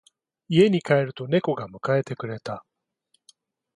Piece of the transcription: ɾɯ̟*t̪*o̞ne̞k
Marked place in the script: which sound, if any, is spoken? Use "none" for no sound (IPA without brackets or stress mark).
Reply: t̪